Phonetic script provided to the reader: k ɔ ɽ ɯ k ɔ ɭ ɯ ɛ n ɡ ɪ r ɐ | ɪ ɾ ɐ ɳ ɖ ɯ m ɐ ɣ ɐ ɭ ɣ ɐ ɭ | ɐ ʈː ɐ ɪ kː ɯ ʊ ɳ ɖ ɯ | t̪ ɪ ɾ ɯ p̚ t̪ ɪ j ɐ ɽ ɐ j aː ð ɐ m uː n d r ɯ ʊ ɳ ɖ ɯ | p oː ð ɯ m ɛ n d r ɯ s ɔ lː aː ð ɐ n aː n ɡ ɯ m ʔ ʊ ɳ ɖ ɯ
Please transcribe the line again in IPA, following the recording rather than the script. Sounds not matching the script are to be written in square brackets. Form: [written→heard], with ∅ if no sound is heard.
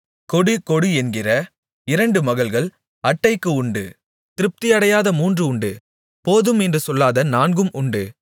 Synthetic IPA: k ɔ ɽ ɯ k ɔ [ɭ→ɽ] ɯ ɛ n ɡ ɪ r ɐ | ɪ ɾ ɐ ɳ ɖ ɯ m ɐ ɣ ɐ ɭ ɣ ɐ ɭ | ɐ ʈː ɐ ɪ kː ɯ ʊ ɳ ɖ ɯ | t̪ ɪ ɾ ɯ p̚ t̪ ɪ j ɐ ɽ ɐ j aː ð ɐ m uː n d r ɯ ʊ ɳ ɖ ɯ | p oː ð ɯ m ɛ n d r ɯ s ɔ lː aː ð ɐ n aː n ɡ ɯ m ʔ ʊ ɳ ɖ ɯ